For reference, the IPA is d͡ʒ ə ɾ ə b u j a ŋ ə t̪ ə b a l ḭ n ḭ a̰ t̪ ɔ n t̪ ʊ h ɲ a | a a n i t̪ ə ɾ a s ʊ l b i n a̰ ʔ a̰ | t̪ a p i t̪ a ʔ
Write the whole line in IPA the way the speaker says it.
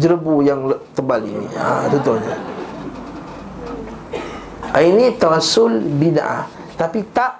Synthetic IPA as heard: d͡ʒ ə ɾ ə b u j a ŋ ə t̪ ə b a l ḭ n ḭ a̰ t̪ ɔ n t̪ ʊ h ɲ a | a i n i t̪ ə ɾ a s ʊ l b i n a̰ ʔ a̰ | t̪ a p i t̪ a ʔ